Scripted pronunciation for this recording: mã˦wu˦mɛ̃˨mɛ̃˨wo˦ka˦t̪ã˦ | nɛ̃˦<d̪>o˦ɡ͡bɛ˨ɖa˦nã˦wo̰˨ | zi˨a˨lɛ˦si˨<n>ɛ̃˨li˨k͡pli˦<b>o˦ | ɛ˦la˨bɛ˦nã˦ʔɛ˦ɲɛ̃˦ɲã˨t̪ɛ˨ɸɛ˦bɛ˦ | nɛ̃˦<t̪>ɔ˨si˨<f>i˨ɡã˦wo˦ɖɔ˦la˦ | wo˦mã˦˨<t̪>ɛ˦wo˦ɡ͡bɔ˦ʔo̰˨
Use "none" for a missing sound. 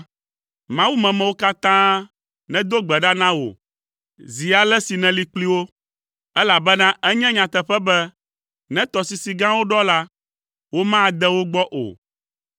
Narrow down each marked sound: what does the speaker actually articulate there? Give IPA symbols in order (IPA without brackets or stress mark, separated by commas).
d̪, n, w, t̪, s, d̪